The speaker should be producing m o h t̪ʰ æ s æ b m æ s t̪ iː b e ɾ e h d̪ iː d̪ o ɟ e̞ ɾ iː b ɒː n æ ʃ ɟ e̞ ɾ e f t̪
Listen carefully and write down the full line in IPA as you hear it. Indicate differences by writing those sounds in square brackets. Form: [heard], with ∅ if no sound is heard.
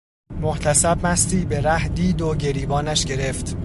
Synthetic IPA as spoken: m o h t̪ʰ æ s æ b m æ s t̪ iː b e ɾ [æ] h d̪ iː d̪ o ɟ e̞ ɾ iː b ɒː n æ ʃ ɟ e̞ ɾ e f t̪